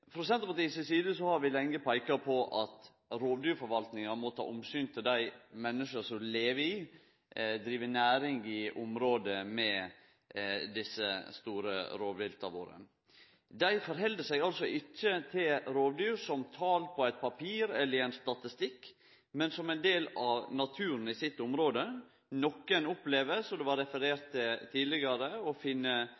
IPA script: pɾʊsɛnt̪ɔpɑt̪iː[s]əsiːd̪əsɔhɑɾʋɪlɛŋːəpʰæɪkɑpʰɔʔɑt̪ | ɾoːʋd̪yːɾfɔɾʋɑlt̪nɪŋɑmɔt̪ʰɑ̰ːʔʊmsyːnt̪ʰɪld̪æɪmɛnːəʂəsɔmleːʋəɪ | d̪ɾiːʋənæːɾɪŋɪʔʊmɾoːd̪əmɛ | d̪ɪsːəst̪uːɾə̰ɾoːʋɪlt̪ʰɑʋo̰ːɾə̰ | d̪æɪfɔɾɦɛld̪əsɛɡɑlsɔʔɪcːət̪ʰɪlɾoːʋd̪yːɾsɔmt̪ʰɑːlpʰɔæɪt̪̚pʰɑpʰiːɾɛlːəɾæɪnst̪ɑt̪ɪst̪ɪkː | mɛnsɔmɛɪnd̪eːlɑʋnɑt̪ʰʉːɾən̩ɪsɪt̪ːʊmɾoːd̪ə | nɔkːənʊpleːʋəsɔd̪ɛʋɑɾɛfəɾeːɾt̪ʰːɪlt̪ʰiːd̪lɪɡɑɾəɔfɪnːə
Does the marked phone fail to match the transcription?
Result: no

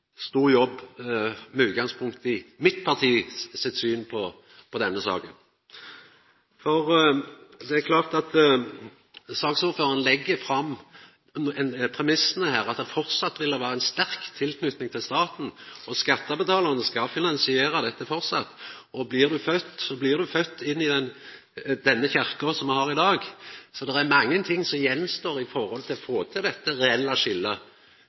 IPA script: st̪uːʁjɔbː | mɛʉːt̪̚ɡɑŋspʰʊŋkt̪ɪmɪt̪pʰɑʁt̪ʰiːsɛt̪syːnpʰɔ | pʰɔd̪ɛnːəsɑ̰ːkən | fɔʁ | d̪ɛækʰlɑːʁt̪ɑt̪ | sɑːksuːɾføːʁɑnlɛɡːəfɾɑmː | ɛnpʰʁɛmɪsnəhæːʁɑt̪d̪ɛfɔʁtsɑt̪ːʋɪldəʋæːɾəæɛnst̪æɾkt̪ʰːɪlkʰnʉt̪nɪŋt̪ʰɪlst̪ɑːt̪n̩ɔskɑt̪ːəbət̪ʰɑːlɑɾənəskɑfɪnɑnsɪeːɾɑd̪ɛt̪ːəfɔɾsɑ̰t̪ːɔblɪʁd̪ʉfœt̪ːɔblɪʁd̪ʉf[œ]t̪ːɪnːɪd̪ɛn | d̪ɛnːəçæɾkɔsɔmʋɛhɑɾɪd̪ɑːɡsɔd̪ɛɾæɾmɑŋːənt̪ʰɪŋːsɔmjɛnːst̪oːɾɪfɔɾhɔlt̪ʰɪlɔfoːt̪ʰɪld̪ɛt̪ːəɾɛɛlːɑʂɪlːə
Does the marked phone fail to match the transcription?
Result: no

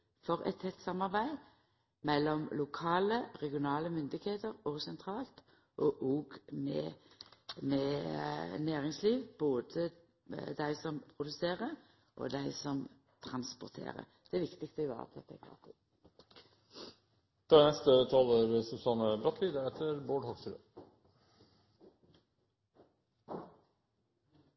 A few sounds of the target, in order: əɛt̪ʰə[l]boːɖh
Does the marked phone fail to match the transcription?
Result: yes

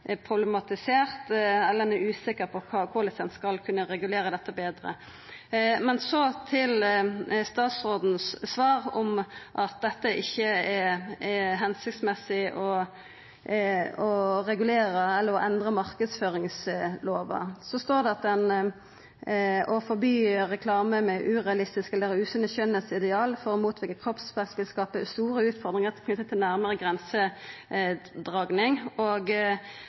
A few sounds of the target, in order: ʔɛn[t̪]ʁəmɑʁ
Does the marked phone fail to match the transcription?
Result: yes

